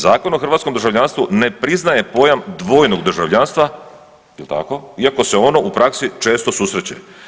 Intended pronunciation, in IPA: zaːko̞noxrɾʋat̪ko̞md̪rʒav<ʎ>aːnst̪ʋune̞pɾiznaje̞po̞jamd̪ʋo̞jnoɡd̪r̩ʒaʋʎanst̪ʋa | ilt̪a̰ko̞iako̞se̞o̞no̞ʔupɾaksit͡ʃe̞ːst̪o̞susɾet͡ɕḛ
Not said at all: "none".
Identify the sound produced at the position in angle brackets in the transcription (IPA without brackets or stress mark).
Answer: ʎ